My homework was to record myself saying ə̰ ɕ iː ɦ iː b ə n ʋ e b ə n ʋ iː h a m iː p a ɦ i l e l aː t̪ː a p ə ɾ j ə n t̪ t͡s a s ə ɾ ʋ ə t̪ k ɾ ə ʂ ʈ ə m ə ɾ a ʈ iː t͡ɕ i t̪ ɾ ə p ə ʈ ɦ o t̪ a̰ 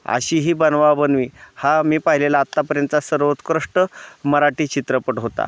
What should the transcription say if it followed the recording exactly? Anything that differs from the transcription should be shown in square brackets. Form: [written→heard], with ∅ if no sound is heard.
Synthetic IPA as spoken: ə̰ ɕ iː ɦ iː b ə n ʋ [e→a] b ə n ʋ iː h a m iː p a ɦ i l e l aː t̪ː a p ə ɾ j ə n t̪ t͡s a s ə ɾ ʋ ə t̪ k ɾ ə ʂ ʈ ə m ə ɾ a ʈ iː t͡ɕ i t̪ ɾ ə p ə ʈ ɦ o t̪ a̰